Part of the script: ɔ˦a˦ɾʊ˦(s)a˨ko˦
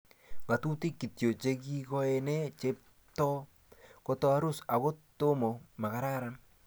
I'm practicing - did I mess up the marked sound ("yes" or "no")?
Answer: no